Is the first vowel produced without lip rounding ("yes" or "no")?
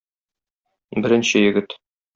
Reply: yes